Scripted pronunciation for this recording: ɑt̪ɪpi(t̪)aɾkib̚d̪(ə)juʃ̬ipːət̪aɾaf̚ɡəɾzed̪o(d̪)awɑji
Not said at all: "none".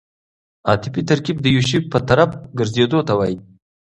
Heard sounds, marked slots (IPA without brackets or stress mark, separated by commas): t̪, ə, t̪